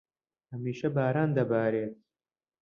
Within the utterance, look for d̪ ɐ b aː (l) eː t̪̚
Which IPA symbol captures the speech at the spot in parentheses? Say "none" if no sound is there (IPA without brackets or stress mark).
ɾ